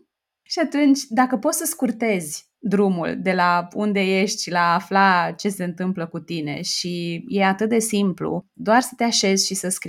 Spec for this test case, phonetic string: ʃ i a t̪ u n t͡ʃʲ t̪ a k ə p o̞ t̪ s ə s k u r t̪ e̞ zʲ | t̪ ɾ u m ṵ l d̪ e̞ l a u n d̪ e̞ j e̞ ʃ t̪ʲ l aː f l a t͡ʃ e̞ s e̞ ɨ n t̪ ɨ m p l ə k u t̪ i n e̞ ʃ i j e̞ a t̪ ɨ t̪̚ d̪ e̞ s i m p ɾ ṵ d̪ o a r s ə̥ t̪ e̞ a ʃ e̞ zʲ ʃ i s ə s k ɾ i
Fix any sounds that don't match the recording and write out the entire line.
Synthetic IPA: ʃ i a t̪ u n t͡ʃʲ d̪ a k ə p o̞ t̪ s ə s k u r t̪ e̞ zʲ | d̪ ɾ u m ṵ l d̪ e̞ l a u n d̪ e̞ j e̞ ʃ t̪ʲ l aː f l a t͡ʃ e̞ s e̞ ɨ n t̪ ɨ m p l ə k u t̪ i n e̞ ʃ i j e̞ a t̪ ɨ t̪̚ d̪ e̞ s i m p l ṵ d̪ o a r s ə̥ t̪ e̞ a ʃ e̞ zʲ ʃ i s ə s k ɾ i